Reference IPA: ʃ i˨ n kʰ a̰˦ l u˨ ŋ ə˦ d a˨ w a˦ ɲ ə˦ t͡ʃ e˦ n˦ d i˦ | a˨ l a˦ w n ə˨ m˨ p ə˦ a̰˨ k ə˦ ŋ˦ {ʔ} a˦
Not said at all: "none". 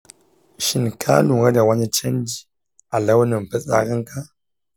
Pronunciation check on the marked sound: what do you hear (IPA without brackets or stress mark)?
k